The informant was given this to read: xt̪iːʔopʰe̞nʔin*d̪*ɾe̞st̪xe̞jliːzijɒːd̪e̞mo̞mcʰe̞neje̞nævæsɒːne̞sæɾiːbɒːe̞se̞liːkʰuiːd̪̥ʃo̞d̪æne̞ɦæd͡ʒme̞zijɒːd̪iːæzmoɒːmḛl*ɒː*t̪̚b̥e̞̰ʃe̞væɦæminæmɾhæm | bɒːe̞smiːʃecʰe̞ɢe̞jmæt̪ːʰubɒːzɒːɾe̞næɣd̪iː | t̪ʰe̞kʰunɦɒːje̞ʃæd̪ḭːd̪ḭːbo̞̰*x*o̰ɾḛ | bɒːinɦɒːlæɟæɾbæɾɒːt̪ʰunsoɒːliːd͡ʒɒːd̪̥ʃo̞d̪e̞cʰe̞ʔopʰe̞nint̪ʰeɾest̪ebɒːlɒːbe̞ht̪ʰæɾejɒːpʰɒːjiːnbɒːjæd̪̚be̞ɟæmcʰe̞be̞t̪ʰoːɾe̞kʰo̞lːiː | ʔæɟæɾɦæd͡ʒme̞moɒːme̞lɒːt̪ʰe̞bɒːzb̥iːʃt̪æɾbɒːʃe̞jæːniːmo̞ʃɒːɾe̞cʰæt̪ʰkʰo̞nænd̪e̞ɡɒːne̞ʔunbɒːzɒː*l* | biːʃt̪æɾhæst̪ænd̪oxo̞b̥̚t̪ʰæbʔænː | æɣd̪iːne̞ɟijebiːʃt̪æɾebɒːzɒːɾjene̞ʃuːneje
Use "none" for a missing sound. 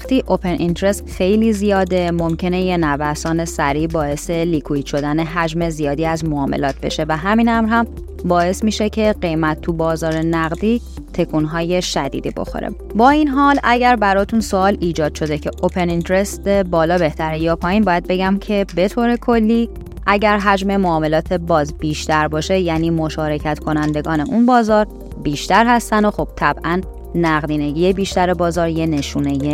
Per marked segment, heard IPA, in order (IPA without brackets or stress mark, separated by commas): t̪, ɒː, x, ɾ